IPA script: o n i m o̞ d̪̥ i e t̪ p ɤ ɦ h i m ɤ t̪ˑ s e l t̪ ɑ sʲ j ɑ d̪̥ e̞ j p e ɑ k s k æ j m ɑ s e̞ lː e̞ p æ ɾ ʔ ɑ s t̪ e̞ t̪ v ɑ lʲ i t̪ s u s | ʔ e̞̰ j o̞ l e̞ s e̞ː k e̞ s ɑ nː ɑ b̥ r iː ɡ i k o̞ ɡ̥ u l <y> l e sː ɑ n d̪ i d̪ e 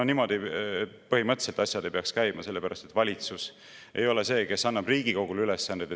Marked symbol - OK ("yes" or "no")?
yes